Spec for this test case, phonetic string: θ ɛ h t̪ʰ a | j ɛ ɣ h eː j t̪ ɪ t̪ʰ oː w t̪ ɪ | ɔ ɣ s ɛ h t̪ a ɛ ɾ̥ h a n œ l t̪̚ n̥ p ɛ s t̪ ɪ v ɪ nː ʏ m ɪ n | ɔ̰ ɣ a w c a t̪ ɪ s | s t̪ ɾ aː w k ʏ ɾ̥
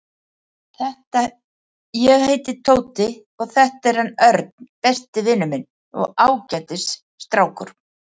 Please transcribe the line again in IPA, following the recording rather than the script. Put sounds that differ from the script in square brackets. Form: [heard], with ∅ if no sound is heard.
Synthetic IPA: θ ɛ h [t̪] a | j ɛ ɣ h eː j t̪ ɪ t̪ʰ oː w t̪ ɪ | ɔ ɣ [θ] ɛ h t̪ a ɛ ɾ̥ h a n œ [ɾ] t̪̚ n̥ p ɛ s t̪ ɪ v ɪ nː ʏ m ɪ n | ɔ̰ ɣ a w c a t̪ ɪ s | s t̪ ɾ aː w k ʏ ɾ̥